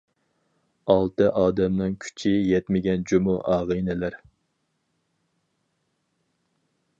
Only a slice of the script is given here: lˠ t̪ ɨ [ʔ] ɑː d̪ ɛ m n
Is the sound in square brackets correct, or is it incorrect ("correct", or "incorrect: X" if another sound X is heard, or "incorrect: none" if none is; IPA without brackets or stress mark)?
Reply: correct